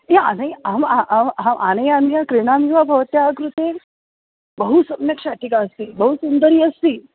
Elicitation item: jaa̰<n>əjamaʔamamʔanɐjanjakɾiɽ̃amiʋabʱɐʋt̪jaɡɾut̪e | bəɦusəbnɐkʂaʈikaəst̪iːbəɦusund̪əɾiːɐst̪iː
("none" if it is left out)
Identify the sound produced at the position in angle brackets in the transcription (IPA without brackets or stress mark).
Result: n